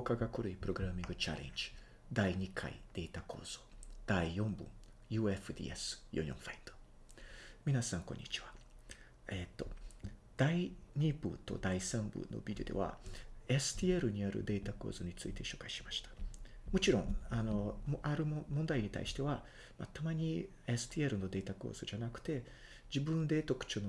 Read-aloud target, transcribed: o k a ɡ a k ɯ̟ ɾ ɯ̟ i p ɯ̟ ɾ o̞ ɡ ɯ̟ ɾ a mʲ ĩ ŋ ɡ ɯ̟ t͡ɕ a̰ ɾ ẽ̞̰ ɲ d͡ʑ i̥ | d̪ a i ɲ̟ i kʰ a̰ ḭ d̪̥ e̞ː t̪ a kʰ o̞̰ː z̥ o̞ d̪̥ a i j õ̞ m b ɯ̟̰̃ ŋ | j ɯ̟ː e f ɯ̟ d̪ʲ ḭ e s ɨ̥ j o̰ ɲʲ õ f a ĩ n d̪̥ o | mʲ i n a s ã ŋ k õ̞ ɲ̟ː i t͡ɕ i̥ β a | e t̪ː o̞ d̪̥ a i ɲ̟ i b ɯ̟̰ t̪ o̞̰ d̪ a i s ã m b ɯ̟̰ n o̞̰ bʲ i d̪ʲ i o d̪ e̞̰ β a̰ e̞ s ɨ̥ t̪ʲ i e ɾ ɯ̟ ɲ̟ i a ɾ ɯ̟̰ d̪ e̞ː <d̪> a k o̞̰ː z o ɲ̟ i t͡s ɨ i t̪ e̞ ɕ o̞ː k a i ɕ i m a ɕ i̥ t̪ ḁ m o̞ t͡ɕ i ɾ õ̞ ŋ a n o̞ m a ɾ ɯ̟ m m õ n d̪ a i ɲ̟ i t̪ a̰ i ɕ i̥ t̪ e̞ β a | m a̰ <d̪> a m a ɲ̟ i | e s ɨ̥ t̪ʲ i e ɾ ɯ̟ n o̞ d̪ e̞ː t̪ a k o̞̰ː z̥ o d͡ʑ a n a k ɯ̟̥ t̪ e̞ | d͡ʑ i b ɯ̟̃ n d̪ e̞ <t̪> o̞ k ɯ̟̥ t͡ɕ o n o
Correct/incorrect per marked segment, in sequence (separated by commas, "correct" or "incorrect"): incorrect, incorrect, correct